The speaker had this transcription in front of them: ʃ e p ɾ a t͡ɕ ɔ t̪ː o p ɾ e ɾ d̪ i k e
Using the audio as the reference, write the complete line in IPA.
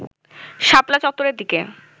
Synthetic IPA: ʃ a p l a t͡ɕ ɔ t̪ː o ɾ e ɾ d̪ i k e